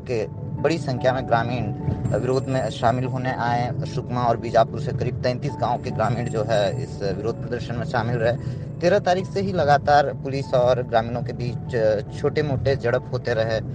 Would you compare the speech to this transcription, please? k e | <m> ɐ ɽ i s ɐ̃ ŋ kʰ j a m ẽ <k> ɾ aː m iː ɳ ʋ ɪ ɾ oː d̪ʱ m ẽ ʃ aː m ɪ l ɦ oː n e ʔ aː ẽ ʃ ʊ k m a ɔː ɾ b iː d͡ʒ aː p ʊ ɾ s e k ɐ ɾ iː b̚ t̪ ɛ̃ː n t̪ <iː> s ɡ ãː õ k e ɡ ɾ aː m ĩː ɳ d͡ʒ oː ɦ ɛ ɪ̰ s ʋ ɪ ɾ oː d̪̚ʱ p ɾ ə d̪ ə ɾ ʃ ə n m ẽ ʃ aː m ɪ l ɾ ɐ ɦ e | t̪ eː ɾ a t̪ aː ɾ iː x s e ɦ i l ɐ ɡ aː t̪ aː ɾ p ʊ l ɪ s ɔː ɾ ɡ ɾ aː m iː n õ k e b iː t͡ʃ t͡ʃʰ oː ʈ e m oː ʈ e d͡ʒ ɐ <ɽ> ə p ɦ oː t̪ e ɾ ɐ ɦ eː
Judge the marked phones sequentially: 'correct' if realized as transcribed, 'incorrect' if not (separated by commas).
incorrect, incorrect, correct, correct